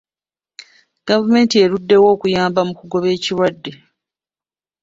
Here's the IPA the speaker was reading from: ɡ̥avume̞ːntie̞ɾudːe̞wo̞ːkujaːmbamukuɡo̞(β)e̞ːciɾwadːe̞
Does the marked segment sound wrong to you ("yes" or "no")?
no